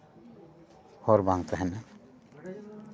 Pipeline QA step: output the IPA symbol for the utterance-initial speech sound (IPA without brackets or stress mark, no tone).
h